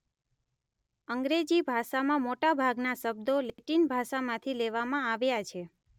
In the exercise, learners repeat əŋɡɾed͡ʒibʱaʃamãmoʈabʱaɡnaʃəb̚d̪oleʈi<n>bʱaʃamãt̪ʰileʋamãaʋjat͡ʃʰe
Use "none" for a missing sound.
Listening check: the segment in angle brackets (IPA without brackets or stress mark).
n